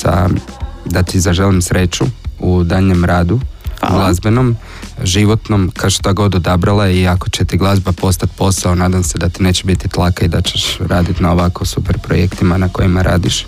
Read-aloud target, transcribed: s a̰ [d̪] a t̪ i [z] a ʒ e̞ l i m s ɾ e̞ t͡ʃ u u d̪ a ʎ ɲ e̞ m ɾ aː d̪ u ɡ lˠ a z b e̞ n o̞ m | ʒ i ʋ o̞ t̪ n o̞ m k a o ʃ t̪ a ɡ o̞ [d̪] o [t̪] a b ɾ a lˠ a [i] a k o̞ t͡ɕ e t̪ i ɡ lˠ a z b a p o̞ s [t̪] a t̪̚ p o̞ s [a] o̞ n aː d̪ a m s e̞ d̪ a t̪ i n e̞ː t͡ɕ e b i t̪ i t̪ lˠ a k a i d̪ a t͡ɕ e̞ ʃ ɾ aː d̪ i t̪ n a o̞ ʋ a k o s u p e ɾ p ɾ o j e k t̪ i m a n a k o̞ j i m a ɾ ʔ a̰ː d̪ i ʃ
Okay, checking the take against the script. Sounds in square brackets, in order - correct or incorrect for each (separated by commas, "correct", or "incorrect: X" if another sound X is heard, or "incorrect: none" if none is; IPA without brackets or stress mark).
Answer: correct, correct, correct, incorrect: d̪, correct, correct, correct